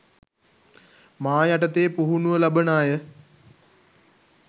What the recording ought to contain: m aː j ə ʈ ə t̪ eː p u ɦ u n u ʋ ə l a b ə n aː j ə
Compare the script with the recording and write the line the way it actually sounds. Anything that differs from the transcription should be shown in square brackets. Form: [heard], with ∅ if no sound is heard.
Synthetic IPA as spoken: m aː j [a] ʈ ə t̪ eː p u ɦ u n u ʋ ə l a b ə n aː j ə